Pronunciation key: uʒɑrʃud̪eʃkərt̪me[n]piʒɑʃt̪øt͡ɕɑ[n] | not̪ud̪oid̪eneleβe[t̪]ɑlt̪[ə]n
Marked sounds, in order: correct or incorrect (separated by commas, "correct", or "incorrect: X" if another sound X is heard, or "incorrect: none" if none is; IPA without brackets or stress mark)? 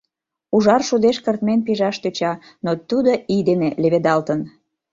correct, incorrect: none, incorrect: d̪, correct